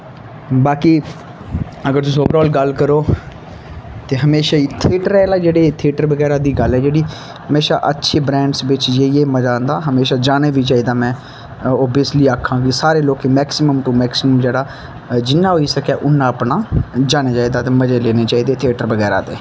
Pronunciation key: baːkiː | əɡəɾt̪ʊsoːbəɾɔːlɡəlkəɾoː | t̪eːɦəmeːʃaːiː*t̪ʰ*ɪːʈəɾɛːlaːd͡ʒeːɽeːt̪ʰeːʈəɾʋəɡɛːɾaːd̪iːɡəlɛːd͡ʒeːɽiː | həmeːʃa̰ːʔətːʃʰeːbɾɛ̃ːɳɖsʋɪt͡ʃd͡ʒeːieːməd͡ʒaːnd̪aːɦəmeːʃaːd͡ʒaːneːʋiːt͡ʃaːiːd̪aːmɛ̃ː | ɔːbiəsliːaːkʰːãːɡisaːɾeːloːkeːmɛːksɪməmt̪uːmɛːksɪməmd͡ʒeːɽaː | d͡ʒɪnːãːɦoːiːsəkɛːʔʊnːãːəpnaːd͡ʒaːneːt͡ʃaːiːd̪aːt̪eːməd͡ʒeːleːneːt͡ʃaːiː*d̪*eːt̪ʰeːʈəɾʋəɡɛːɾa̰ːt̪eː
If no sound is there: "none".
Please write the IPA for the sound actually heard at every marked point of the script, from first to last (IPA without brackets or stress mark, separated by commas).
t̪ʰ, d̪